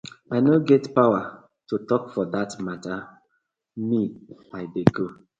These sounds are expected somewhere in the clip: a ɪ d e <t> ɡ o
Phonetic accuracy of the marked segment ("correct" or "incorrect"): incorrect